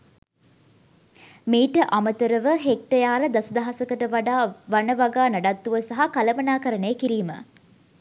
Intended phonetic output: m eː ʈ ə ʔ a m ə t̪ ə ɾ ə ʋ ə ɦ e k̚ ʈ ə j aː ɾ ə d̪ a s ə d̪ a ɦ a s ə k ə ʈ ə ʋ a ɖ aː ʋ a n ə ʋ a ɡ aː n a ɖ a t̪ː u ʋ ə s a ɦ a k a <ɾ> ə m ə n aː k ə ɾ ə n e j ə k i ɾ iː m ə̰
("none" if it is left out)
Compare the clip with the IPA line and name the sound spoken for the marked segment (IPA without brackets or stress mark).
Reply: l